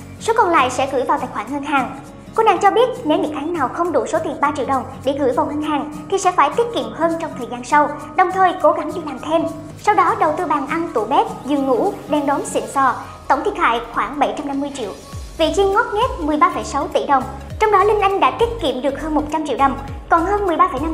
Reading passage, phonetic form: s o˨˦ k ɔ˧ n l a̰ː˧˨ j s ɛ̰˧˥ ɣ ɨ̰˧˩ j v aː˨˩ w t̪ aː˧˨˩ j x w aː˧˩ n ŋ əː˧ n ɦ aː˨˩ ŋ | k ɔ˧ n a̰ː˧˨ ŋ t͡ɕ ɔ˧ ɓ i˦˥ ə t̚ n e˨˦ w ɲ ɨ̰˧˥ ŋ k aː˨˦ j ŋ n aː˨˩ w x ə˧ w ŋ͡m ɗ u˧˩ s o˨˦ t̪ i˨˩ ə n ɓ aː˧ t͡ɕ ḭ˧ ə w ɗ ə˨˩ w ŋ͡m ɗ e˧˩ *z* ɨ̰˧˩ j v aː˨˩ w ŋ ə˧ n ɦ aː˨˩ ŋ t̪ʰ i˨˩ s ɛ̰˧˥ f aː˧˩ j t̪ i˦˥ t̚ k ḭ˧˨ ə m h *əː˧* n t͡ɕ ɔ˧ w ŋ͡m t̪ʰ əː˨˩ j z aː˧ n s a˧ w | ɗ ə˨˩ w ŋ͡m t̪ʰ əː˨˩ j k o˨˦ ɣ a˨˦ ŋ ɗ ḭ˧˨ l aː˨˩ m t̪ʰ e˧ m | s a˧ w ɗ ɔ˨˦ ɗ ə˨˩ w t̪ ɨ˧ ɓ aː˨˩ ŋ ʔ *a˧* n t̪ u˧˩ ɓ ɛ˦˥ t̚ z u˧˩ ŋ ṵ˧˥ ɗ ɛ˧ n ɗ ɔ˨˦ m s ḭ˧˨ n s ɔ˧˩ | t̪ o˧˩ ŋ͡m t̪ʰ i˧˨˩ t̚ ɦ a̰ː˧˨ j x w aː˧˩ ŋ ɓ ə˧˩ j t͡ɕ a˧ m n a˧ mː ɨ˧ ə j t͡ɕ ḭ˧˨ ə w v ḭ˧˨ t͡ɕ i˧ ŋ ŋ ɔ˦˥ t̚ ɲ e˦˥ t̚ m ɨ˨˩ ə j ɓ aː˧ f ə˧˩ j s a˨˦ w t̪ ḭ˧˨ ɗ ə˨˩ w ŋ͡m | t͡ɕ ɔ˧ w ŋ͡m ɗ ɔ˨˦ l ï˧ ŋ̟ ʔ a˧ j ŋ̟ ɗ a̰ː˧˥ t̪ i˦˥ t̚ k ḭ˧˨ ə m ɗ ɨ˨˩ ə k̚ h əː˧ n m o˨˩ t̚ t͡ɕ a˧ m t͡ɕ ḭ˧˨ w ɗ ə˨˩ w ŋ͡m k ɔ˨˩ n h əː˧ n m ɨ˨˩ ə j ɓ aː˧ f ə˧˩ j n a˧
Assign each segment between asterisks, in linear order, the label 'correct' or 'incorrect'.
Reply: incorrect: ɣ, correct, correct

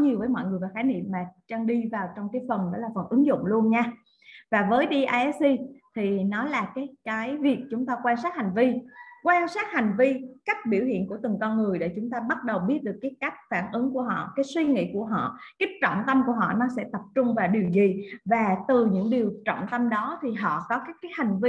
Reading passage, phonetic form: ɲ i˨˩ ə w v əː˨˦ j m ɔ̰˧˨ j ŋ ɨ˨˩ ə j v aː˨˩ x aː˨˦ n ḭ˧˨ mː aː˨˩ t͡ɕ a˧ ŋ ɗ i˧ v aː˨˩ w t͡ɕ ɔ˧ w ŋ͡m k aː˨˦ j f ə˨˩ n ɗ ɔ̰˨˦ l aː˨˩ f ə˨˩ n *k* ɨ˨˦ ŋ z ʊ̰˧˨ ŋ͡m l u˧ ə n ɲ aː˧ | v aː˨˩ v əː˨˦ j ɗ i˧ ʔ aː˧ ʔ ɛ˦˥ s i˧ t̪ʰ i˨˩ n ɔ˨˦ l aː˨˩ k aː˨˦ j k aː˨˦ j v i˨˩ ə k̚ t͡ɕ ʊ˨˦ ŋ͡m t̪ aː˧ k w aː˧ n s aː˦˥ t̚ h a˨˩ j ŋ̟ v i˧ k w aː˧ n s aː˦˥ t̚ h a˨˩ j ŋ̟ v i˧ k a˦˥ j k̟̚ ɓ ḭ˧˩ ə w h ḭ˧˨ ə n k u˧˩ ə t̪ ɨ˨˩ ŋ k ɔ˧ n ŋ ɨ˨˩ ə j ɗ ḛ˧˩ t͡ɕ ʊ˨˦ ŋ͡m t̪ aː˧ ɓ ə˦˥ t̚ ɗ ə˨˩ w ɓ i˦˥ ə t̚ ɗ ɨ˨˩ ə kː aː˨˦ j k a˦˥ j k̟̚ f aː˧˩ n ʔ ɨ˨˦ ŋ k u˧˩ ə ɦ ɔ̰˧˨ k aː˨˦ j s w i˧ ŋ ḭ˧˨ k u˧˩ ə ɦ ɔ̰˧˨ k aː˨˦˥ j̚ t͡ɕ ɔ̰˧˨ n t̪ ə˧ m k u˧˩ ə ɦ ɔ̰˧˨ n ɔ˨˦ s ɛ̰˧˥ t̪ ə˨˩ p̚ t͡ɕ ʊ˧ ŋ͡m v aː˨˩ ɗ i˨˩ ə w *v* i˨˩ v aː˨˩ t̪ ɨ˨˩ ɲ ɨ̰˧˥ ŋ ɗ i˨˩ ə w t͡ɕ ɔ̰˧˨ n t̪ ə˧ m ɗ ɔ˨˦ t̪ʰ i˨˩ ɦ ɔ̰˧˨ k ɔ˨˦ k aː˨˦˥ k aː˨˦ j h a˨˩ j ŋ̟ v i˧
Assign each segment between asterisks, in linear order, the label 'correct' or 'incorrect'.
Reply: incorrect: ʔ, incorrect: z

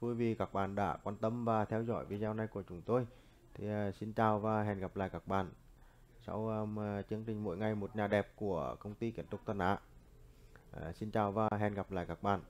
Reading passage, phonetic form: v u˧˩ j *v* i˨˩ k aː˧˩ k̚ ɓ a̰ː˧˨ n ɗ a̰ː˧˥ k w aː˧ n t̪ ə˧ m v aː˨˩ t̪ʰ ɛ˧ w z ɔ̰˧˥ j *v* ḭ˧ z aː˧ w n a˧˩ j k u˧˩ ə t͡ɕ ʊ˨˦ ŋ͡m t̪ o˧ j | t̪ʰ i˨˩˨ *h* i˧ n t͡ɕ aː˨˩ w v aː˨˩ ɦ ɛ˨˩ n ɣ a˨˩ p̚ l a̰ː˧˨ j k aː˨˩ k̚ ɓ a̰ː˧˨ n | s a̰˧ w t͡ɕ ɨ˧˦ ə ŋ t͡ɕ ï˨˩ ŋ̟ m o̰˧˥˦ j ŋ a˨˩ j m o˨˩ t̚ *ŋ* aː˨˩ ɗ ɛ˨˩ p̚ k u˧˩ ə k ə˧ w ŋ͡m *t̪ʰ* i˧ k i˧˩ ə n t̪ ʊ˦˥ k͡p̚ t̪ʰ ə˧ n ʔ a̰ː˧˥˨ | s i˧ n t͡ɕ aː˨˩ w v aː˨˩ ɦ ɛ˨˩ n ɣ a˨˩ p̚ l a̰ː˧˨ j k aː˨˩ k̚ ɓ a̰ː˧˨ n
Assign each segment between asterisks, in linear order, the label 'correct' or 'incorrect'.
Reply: correct, correct, incorrect: s, incorrect: ɲ, incorrect: t̪

